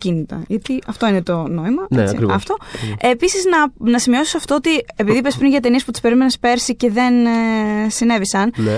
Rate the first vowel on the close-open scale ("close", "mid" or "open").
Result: close